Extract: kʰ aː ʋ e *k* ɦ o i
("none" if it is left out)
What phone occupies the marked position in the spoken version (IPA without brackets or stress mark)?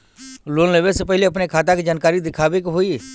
k